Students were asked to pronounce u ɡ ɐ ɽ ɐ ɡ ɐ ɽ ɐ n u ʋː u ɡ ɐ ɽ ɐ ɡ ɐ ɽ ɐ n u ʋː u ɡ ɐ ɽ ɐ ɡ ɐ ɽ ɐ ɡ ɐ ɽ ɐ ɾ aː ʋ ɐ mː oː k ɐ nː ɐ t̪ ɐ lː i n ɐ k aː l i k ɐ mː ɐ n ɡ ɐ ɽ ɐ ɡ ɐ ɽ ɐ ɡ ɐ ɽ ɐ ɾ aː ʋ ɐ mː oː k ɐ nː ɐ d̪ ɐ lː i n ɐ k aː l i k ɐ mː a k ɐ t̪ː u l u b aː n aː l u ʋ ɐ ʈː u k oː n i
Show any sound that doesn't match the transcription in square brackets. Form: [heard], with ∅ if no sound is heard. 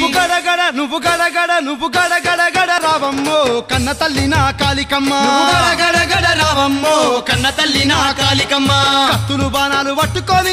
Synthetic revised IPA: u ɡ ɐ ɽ ɐ ɡ ɐ ɽ ɐ n u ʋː u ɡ ɐ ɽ ɐ ɡ ɐ ɽ ɐ n u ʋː u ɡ ɐ ɽ ɐ ɡ ɐ ɽ ɐ ɡ ɐ ɽ ɐ ɾ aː ʋ ɐ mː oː k ɐ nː ɐ t̪ ɐ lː i n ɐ k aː l i k ɐ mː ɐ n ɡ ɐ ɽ ɐ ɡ ɐ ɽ ɐ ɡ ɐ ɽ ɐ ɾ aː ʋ ɐ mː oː k ɐ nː ɐ [t̪] ɐ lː i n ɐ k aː l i k ɐ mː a k ɐ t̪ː u l u b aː n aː l u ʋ ɐ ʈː u k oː n i